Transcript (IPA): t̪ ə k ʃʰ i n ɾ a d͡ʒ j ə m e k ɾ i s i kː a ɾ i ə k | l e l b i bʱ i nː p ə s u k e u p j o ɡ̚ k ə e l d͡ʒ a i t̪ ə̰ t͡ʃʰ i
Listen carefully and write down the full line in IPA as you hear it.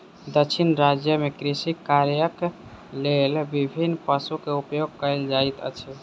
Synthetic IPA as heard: d̪ ə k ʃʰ i n ɾ a d͡ʒ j ə m e k ɾ i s i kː a ɾ j ə k | l e l b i bʱ i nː p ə s u k e u p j o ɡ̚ k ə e l d͡ʒ a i t̪ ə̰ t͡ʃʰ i